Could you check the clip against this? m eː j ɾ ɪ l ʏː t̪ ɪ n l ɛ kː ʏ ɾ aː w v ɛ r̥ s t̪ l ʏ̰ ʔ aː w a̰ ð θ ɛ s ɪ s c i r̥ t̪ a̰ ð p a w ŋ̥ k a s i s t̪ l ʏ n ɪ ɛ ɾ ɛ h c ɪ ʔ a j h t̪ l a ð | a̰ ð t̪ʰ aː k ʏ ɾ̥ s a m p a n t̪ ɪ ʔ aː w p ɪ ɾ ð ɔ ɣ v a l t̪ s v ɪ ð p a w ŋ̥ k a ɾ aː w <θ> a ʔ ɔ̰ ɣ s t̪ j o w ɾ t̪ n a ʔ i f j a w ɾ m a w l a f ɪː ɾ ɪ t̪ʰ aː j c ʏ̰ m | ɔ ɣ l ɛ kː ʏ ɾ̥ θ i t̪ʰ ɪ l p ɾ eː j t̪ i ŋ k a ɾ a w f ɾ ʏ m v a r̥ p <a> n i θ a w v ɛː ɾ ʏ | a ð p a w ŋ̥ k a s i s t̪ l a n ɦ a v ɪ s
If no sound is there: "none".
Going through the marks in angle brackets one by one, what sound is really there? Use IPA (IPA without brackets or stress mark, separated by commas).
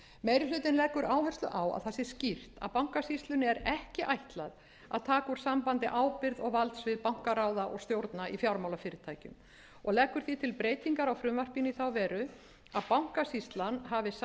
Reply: ð, i